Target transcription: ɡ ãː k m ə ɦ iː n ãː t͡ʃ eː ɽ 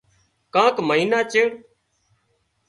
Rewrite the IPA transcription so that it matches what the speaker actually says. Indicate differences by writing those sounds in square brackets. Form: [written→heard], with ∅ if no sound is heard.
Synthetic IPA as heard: [ɡ→k] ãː k m ə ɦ iː n [ãː→aː] t͡ʃ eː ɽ